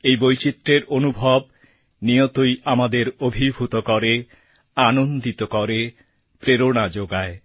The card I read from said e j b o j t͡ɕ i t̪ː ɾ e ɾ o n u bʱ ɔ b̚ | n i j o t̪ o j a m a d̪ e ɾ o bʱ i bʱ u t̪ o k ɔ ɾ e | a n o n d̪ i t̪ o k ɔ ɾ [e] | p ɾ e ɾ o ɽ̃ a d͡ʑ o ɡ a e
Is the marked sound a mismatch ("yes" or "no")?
no